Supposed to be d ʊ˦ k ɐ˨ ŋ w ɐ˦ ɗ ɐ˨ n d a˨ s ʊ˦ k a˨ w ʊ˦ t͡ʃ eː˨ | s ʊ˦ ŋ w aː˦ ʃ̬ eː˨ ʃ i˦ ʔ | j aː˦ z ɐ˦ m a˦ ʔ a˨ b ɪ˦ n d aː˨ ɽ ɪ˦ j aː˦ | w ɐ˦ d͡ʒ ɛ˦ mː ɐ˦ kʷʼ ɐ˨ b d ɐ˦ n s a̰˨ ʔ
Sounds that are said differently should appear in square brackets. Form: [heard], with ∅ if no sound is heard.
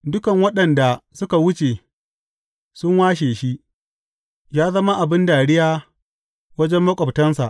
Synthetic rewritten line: d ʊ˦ k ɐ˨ ŋ w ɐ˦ ɗ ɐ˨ n d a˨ s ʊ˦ k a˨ w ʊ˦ t͡ʃ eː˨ | s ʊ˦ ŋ w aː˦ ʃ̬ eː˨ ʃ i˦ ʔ | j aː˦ z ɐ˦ m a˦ ʔ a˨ b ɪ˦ n d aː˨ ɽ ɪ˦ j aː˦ | w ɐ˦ d͡ʒ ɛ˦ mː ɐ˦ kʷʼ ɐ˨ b [t] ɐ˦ n s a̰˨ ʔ